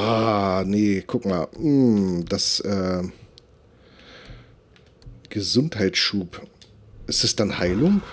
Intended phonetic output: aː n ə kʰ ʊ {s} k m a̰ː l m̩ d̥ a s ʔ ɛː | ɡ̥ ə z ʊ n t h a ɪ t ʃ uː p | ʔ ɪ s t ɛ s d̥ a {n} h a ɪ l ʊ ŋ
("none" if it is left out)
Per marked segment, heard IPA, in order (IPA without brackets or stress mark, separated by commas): none, n